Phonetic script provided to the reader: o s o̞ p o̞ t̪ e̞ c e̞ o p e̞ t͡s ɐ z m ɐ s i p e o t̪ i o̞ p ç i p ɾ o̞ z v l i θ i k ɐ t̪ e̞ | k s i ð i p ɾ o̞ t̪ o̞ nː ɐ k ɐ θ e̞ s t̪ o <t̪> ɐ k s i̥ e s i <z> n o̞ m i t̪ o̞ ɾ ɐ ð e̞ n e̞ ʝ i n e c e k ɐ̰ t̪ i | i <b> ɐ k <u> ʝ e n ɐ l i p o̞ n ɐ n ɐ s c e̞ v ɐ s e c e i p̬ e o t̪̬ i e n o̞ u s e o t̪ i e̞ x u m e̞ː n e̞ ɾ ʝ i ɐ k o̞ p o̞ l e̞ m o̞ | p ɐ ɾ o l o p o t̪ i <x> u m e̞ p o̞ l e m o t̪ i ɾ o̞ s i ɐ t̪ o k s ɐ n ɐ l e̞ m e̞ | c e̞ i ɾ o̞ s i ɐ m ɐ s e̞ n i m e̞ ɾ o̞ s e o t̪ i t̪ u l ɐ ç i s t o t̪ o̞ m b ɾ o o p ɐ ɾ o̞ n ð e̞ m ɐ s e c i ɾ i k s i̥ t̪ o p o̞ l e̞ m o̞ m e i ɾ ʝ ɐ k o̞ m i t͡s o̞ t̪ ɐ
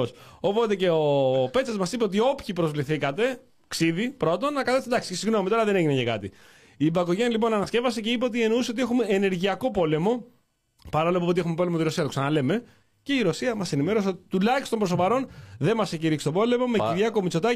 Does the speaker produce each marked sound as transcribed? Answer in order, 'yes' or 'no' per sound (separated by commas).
no, no, yes, no, yes